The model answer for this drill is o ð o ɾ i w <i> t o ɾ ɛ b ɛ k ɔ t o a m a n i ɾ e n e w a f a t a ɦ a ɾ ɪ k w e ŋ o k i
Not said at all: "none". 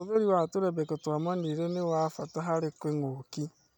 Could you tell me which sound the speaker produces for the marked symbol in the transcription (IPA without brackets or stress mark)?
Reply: a